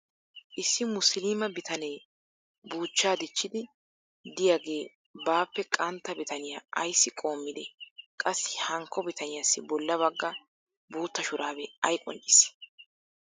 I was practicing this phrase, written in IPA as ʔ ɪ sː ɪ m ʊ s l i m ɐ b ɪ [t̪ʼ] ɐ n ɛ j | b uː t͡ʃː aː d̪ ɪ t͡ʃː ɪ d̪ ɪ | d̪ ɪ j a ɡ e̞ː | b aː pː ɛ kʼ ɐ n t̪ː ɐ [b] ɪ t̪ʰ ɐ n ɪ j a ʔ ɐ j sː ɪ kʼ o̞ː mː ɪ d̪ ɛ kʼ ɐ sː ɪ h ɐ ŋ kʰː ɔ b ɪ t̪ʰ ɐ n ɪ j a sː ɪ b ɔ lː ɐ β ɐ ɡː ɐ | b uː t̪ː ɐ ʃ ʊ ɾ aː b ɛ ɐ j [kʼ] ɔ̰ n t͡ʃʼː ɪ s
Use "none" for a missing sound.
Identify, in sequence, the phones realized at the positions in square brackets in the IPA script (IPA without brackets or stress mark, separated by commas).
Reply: t̪, b, kʼ